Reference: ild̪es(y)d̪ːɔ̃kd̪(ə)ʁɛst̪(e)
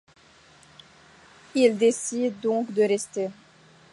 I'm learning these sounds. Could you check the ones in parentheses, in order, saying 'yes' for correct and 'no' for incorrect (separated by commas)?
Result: no, yes, yes